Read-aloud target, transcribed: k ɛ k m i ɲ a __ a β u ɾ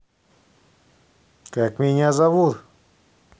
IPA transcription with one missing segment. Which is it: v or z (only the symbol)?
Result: z